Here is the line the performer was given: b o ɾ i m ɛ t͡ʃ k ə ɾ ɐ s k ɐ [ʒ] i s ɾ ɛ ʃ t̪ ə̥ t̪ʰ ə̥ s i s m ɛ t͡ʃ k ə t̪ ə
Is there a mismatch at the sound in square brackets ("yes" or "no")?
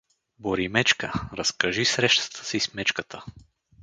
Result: no